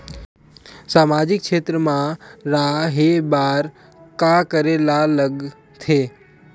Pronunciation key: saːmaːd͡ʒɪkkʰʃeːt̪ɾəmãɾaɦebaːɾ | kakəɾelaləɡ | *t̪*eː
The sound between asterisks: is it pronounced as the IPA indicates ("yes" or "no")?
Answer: no